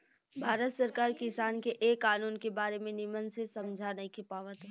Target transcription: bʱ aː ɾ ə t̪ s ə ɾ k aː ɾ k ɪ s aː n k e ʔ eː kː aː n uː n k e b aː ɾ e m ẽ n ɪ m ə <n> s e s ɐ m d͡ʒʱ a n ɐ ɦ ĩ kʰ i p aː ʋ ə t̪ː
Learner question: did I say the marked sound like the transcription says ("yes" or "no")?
yes